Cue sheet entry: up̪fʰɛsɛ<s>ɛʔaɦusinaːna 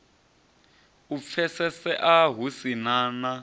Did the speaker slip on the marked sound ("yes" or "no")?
no